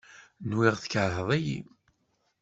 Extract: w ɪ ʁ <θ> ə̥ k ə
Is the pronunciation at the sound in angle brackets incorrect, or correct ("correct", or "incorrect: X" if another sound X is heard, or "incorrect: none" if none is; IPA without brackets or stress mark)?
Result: correct